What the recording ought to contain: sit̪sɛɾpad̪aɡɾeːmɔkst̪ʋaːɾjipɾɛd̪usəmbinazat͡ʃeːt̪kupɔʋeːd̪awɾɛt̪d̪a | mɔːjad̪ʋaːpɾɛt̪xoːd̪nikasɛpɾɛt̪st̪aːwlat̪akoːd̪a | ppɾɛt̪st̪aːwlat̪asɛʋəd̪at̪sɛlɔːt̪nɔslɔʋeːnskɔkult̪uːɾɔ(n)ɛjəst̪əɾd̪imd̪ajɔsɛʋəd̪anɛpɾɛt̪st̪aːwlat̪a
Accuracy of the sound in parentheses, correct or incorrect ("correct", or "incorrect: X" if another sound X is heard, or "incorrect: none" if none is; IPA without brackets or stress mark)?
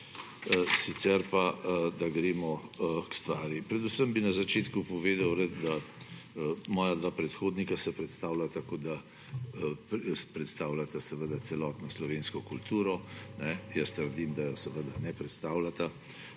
correct